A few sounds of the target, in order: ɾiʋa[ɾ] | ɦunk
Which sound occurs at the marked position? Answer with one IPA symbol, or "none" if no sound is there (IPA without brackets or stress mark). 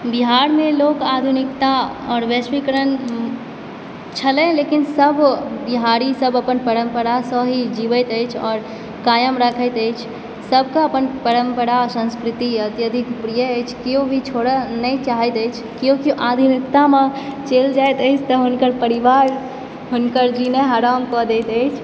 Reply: ɾ